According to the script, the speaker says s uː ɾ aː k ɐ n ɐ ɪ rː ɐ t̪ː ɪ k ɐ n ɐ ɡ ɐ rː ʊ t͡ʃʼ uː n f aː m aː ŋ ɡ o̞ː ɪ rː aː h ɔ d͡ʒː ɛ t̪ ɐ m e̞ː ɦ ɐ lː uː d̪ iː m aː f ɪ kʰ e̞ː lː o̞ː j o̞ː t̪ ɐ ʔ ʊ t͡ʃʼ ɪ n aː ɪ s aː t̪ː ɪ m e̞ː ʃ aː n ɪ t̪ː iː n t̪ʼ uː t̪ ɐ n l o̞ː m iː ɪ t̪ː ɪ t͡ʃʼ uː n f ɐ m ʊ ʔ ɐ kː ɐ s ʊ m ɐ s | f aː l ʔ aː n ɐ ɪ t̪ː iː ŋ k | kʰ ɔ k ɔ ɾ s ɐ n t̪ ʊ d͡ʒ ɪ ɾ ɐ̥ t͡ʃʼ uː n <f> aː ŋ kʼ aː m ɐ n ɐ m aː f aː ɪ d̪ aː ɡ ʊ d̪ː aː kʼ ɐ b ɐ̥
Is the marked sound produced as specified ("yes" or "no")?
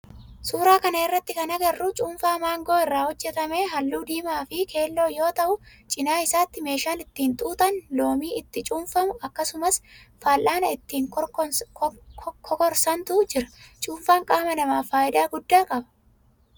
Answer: yes